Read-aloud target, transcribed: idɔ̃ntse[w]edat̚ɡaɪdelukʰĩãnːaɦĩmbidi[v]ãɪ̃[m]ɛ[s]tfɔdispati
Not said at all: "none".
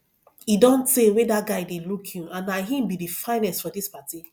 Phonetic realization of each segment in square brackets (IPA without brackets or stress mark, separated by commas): w, f, n, s